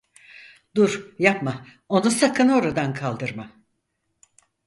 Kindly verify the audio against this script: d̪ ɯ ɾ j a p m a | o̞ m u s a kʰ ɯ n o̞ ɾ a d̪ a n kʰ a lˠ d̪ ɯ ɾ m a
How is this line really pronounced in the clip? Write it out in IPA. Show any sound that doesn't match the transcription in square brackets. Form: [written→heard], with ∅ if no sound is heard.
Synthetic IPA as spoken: d̪ [ɯ→u] ɾ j a p m a | o̞ [m→n] u s a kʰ ɯ n o̞ ɾ a d̪ a n kʰ a lˠ d̪ ɯ ɾ m a